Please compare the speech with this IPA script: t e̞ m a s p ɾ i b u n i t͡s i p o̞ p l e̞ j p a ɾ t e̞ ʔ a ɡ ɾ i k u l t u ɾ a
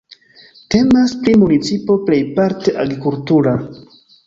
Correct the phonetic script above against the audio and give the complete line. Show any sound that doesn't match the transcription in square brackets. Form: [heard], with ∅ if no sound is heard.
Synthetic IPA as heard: t e̞ m a s p ɾ i [m] u n i t͡s i p o̞ p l e̞ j p a ɾ t e̞ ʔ a ɡ ɾ i k u l t u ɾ a